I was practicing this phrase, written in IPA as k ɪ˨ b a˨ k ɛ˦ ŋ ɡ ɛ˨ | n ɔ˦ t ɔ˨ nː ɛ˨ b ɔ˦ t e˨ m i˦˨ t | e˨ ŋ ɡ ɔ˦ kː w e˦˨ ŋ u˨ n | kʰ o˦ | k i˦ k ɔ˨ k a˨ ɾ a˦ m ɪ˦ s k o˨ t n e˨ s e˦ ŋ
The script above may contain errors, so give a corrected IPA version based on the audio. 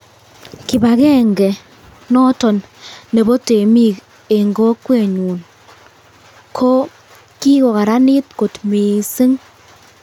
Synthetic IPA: k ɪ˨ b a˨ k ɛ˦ ŋ ɡ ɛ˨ | n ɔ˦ t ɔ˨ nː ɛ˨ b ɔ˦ t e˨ m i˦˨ k | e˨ ŋ ɡ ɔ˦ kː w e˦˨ ɲ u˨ n | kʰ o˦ | k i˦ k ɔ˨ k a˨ ɾ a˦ n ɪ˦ t k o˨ t m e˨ s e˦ ŋ